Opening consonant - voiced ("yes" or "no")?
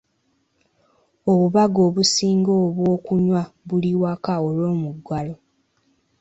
yes